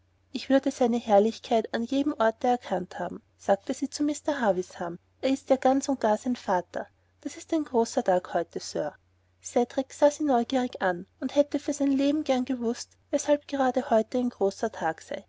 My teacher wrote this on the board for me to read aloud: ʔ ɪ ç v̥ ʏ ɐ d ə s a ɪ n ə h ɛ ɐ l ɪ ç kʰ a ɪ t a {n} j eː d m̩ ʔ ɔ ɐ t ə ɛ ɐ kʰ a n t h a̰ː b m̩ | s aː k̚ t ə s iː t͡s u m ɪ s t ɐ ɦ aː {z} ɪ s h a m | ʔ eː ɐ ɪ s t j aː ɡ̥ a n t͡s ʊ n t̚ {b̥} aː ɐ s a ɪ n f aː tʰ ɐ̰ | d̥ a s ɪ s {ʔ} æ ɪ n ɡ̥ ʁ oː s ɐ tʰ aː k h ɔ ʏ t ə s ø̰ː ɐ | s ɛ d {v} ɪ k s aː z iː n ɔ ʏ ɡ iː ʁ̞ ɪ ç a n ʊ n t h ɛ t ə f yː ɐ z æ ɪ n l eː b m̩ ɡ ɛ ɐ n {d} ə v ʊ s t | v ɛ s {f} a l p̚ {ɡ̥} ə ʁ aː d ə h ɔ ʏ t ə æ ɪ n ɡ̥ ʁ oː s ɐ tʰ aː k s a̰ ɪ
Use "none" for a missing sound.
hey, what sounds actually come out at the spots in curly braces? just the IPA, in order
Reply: n, v, ɡ̥, t, ʁ, ɡ, h, ɡ̥

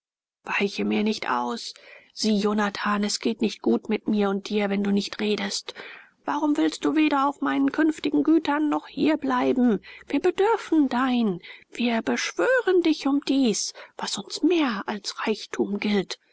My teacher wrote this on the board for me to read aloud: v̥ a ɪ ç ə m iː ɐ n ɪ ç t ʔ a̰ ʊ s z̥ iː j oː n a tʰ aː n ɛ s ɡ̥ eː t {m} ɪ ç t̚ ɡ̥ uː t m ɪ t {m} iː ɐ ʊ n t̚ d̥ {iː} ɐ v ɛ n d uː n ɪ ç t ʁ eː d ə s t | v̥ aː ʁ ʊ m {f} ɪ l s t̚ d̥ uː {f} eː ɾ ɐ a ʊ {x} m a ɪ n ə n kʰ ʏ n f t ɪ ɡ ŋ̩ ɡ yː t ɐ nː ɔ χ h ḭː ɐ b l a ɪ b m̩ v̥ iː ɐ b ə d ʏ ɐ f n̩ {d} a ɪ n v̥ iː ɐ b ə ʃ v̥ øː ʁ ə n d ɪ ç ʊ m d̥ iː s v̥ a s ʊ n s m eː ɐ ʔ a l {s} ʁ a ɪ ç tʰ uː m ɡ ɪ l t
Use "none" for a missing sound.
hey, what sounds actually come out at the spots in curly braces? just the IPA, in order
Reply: n, m, iː, v, v, f, d, s

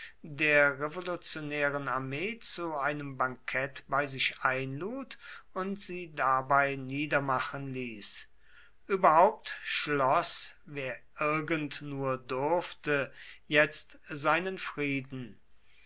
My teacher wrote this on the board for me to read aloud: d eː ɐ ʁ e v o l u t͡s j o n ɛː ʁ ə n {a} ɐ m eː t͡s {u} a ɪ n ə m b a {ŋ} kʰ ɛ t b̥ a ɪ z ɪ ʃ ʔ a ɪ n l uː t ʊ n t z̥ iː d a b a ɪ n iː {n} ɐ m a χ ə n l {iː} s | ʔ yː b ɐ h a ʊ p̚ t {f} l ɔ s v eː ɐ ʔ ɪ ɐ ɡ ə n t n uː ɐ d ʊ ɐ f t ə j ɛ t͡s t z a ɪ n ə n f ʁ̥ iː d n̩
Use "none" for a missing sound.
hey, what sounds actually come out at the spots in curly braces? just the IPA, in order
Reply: a, u, ŋ, d, iː, ʃ

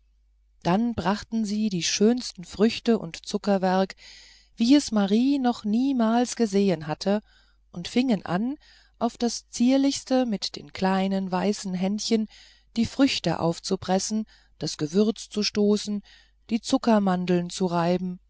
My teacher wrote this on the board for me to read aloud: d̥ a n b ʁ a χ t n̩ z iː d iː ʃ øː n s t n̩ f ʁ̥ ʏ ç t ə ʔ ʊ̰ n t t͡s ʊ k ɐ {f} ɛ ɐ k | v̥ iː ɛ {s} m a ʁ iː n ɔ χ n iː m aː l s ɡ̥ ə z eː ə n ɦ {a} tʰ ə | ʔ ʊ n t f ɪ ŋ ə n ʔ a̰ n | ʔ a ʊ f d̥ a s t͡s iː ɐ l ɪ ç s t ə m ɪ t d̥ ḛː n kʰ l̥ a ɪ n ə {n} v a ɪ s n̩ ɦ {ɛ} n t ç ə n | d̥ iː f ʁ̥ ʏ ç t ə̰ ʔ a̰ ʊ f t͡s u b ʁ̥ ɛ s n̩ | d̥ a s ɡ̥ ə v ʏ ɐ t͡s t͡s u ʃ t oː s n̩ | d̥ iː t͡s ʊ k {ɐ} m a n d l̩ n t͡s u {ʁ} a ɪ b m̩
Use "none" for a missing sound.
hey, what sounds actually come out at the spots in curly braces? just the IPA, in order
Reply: v, s, a, n, ɛ, ɐ, ʁ

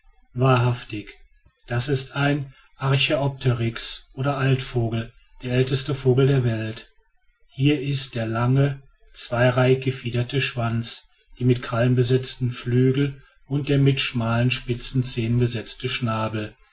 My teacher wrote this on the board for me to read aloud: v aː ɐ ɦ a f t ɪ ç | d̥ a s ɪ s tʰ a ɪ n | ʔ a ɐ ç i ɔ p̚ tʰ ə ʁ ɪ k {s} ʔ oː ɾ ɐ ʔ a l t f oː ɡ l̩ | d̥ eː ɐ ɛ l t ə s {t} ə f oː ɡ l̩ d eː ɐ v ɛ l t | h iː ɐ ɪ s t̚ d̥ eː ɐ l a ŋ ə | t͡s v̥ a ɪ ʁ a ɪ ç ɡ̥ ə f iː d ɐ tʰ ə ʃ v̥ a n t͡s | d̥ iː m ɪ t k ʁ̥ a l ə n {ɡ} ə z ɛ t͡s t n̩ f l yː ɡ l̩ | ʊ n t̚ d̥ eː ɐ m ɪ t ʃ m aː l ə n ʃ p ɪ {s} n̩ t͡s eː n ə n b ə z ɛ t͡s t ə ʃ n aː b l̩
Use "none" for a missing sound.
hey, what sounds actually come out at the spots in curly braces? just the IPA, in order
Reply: s, t, b, t͡s

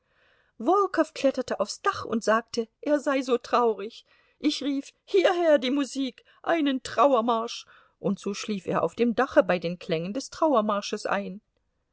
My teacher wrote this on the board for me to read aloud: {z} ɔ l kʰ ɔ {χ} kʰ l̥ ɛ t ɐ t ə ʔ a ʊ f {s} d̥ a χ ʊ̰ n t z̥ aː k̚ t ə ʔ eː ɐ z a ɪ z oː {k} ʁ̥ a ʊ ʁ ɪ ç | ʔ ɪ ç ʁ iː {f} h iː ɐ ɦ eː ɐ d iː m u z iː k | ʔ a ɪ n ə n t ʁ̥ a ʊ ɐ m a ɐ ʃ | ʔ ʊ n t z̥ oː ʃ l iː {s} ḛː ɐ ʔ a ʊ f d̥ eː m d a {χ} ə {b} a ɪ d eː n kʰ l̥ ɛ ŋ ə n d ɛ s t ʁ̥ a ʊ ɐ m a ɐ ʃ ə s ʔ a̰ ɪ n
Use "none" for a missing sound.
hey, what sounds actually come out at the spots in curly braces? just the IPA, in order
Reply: v, f, s, t, f, f, χ, b

